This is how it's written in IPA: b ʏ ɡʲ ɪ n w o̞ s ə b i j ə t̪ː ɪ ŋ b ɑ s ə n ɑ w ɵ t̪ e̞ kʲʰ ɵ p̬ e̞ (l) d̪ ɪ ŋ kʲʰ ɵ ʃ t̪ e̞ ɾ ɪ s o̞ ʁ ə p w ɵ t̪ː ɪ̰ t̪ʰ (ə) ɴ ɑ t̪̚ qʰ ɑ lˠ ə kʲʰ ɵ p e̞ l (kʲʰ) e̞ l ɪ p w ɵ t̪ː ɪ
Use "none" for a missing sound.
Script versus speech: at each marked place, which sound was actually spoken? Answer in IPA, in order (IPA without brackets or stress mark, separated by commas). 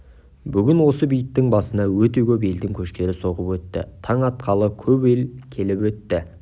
l, ɑ, kʲʰ